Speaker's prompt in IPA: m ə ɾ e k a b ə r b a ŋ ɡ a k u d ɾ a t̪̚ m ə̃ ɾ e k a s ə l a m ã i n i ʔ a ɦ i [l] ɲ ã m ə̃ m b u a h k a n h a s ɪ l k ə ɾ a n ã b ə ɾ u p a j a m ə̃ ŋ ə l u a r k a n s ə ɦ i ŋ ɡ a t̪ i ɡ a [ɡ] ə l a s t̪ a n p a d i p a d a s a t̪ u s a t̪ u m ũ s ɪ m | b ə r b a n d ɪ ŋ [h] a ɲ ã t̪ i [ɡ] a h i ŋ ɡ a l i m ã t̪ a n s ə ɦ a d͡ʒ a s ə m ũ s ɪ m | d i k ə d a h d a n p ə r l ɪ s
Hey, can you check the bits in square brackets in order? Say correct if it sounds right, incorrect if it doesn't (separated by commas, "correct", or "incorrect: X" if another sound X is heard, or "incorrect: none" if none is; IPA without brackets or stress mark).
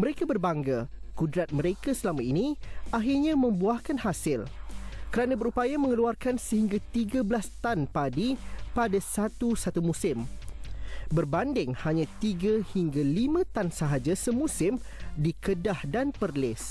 incorrect: r, incorrect: b, correct, correct